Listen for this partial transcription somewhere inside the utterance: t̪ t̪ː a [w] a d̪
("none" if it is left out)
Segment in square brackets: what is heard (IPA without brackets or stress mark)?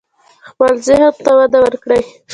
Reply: w